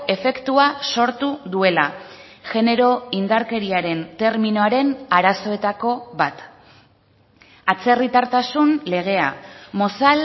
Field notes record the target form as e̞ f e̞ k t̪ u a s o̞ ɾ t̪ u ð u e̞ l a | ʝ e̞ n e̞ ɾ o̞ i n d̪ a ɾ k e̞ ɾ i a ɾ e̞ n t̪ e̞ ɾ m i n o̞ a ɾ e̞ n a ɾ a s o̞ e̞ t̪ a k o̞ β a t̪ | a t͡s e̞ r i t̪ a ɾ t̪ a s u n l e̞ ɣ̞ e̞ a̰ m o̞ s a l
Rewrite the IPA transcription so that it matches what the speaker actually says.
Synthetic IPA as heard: e̞ f e̞ k t̪ u a s o̞ ɾ t̪ u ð u e̞ l a | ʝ e̞ n e̞ ɾ o̞ i n d̪ a ɾ k e̞ ɾ i a ɾ e̞ n t̪ e̞ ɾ m i n o̞ a ɾ e̞ n a ɾ a s o̞ e̞ t̪ a k o̞ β a t̪ | a t͡s e̞ r i t̪ a ɾ t̪ a s u n l e̞ ɣ̞ e̞ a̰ m o̞ s a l

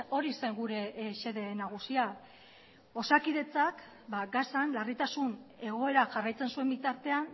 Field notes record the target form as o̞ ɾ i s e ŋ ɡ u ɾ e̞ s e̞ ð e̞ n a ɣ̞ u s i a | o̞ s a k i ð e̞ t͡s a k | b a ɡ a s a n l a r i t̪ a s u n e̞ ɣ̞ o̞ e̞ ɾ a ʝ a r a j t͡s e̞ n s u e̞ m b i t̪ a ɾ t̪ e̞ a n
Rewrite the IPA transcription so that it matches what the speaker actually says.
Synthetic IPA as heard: o̞ ɾ i s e ŋ ɡ u ɾ e̞ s e̞ ð e̞ n a ɣ̞ u s i a | o̞ s a k i ð e̞ t͡s a k | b a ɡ a s a n l a r i t̪ a s u n e̞ ɣ̞ o̞ e̞ ɾ a ʝ a r a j t͡s e̞ n s u e̞ m b i t̪ a ɾ t̪ e̞ a n

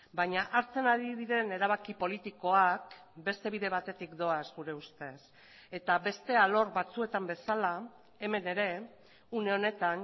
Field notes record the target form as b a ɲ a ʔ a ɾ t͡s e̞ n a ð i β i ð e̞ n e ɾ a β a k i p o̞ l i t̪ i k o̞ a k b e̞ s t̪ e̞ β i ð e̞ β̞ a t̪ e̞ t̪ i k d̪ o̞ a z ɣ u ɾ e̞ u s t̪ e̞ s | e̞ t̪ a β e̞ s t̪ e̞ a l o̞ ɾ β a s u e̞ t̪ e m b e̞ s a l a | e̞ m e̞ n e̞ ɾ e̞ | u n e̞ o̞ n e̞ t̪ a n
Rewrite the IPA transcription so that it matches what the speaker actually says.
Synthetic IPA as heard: b a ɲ a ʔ a ɾ t͡s e̞ n a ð i β i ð e̞ n e ɾ a β a k i p o̞ l i t̪ i k o̞ a k b e̞ s t̪ e̞ β i ð e̞ β̞ a t̪ e̞ t̪ i k d̪ o̞ a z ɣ u ɾ e̞ u s t̪ e̞ s | e̞ t̪ a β e̞ s t̪ e̞ a l o̞ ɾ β a t͡s u e̞ t̪ a m b e̞ s a l a | e̞ m e̞ n e̞ ɾ e̞ | u n e̞ o̞ n e̞ t̪ a n

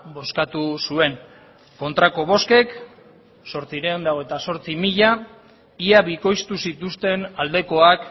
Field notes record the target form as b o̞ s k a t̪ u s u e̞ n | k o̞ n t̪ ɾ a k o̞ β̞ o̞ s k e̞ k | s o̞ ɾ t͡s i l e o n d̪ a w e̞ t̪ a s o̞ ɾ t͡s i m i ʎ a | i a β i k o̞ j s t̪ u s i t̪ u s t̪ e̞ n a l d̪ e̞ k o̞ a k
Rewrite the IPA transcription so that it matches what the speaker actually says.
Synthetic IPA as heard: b o̞ s k a t̪ u s u e̞ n | k o̞ n t̪ ɾ a k o̞ β̞ o̞ s k e̞ k | s o̞ ɾ t͡s i ɾ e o n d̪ a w e̞ t̪ a s o̞ ɾ t͡s i m i ʎ a | i a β i k o̞ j s t̪ u s i t̪ u s t̪ e̞ n a l d̪ e̞ k o̞ a k

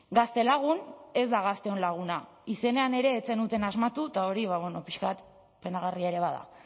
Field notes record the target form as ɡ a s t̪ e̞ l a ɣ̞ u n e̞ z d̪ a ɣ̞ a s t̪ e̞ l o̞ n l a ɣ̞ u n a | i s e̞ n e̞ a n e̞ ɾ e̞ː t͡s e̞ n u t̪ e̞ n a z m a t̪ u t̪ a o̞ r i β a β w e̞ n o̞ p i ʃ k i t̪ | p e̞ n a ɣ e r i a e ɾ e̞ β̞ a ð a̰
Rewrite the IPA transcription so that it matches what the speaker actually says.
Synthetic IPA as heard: ɡ a s t̪ e̞ l a ɣ̞ u n e̞ z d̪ a ɣ̞ a s t̪ e̞ o̞ n l a ɣ̞ u n a | i s e̞ n e̞ a n e̞ ɾ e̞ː t͡s e̞ n u t̪ e̞ n a z m a t̪ u t̪ a o̞ ɾ i β a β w e̞ n o̞ p i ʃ k a t̪ | p e̞ n a ɣ a r i a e ɾ e̞ β̞ a ð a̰

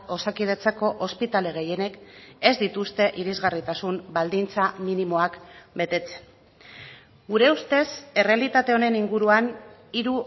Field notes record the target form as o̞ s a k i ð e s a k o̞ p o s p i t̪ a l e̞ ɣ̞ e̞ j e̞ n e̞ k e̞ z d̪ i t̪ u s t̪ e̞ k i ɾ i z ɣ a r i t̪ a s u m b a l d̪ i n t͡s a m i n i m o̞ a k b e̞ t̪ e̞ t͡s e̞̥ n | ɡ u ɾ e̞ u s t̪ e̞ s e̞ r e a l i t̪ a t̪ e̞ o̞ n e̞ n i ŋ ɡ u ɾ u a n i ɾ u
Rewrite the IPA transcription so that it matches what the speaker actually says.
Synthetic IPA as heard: o̞ s a k i ð e t͡s a k o̞ ʔ o s p i t̪ a l e̞ ɣ̞ e̞ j e̞ n e̞ k e̞ z d̪ i t̪ u s t̪ e̞ ʔ i ɾ i z ɣ a r i t̪ a s u m b a l d̪ i n t͡s a m i n i m o̞ a k b e̞ t̪ e̞ t͡s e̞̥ n | ɡ u ɾ e̞ u s t̪ e̞ s e̞ r e a l i t̪ a t̪ e̞ o̞ n e̞ n i ŋ ɡ u ɾ u a n i ɾ u

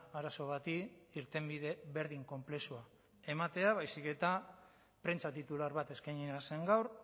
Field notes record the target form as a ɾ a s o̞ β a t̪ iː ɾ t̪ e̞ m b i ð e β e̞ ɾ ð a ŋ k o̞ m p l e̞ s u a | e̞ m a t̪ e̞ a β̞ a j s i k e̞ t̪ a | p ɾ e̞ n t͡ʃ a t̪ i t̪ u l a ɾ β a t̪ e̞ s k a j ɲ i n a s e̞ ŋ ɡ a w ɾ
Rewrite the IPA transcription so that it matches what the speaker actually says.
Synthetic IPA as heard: a ɾ a s o̞ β a t̪ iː ɾ t̪ e̞ m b i ð e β e̞ ɾ ð i ŋ k o̞ m p l e̞ s u a | e̞ m a t̪ e̞ a β̞ a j s i k e̞ t̪ a | p ɾ e̞ n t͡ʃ a t̪ i t̪ u l a ɾ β a t̪ e̞ s k a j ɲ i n a s e̞ ŋ ɡ a w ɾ

